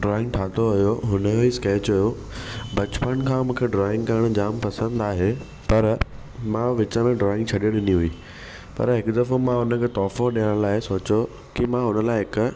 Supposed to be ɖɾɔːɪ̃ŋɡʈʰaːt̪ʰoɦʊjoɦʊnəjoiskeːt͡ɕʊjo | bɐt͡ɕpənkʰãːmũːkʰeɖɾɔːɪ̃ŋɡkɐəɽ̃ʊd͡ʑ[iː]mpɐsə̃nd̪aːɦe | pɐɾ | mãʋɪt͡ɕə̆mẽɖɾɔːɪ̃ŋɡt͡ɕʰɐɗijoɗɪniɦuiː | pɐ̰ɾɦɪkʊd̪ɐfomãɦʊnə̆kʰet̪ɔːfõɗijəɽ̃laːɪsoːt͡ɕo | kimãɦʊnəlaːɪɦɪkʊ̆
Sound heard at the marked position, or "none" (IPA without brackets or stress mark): aː